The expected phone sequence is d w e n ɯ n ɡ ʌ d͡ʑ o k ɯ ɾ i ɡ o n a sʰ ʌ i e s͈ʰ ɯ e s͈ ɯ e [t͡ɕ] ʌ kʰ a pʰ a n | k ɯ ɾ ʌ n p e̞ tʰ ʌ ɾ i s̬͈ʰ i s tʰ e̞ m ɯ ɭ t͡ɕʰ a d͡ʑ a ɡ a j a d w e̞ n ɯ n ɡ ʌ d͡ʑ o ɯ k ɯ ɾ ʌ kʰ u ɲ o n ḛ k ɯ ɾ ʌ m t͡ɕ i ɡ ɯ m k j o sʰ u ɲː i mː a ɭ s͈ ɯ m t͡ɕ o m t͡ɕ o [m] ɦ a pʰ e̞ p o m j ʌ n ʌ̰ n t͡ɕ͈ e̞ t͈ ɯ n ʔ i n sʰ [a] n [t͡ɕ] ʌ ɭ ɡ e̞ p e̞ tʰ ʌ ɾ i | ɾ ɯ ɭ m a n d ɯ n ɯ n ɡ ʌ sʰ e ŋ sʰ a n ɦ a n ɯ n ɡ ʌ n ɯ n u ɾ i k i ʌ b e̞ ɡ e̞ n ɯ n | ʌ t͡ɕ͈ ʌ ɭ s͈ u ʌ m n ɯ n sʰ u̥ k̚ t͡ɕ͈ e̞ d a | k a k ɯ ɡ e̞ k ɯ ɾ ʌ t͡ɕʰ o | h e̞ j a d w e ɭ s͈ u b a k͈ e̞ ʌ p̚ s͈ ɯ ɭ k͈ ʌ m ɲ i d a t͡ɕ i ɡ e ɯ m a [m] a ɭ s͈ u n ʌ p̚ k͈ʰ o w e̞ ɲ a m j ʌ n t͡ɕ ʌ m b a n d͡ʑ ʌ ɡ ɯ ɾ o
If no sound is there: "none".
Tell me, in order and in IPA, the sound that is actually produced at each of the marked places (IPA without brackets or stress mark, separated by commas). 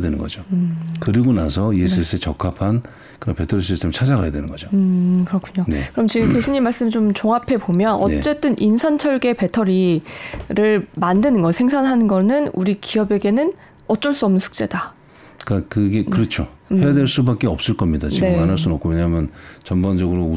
t͡ɕ, ŋ, a, t͡ɕʰ, n